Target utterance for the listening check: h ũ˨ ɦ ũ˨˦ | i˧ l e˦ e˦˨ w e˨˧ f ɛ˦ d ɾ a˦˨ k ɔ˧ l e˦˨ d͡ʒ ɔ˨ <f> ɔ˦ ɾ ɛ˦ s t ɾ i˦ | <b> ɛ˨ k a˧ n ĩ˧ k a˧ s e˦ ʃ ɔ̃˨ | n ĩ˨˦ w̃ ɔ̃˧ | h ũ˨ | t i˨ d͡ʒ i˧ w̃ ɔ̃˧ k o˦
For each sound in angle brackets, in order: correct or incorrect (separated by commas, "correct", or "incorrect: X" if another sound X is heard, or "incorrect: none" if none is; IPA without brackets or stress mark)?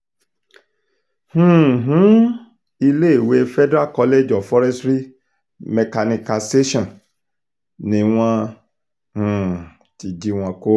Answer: correct, incorrect: m